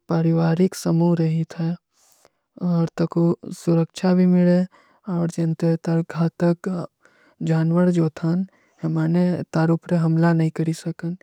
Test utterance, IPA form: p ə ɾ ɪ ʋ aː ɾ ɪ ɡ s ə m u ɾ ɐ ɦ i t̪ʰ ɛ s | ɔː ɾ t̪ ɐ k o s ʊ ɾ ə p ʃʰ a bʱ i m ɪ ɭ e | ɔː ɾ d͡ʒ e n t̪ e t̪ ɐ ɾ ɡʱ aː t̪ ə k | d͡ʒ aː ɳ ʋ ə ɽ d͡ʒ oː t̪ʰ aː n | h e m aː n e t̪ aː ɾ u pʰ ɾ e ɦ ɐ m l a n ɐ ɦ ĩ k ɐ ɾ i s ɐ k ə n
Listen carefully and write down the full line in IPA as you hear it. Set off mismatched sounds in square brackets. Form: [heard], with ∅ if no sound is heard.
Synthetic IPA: p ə ɾ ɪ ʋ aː ɾ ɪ [k] s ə m u ɾ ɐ ɦ i t̪ʰ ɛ [∅] | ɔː ɾ t̪ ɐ k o s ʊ ɾ ə [k] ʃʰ a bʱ i m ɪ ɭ e | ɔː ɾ d͡ʒ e n t̪ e t̪ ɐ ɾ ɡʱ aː t̪ ə k | d͡ʒ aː [n] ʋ ə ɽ d͡ʒ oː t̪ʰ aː n | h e m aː n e t̪ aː ɾ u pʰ ɾ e ɦ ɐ m l a n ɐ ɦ ĩ k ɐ ɾ i s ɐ k ə n